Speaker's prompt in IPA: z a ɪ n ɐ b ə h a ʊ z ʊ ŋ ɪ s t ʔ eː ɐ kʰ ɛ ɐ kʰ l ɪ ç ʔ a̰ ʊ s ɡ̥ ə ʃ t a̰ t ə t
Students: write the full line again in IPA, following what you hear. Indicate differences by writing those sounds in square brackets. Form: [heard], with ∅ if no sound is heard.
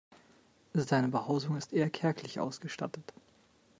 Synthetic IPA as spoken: z a ɪ n [ə] b ə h a ʊ z ʊ ŋ ɪ s t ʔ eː ɐ kʰ ɛ ɐ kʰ l ɪ ç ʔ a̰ ʊ s ɡ̥ ə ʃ t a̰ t ə t